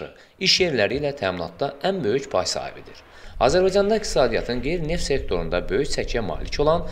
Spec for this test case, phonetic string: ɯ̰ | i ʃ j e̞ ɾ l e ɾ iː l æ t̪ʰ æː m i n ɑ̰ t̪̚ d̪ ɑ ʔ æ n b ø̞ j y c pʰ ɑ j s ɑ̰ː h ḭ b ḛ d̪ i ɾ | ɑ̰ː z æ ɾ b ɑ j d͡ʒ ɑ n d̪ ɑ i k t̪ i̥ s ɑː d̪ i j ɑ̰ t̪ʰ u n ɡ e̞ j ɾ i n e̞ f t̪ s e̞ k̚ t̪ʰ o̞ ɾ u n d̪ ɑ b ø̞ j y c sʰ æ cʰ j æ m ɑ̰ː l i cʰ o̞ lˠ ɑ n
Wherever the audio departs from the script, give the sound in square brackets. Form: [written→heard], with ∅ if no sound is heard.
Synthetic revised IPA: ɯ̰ | i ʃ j e̞ ɾ l [e→æ] ɾ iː l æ t̪ʰ æː m i n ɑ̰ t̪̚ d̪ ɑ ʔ æ n b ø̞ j y c pʰ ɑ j s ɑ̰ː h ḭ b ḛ d̪ i ɾ | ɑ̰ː z æ ɾ b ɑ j d͡ʒ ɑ n d̪ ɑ i k t̪ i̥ s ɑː d̪ i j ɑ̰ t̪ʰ [u→ɯ] n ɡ e̞ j ɾ i n e̞ f t̪ s e̞ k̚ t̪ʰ o̞ ɾ u n d̪ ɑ b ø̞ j y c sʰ æ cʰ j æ m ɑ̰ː l i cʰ o̞ lˠ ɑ n